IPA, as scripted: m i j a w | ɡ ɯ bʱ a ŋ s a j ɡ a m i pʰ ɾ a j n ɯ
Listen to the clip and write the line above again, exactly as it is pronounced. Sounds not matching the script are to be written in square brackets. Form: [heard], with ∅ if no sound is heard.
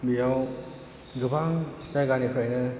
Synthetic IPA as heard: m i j a w | ɡ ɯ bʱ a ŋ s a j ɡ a [n] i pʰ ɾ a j n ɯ